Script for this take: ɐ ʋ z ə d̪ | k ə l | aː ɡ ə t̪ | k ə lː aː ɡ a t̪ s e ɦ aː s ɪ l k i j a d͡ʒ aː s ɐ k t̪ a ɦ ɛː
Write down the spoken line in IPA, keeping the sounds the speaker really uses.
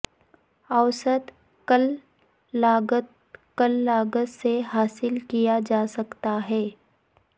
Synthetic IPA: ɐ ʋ s ə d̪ | k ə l | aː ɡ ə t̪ | k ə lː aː ɡ ə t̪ s e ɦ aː s ɪ l k i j a d͡ʒ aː s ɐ k t̪ a ɦ ɛː